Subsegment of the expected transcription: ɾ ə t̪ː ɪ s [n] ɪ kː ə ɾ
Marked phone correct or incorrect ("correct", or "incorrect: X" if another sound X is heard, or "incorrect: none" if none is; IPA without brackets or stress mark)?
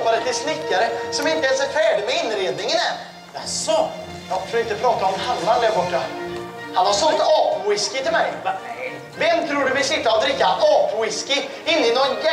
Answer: correct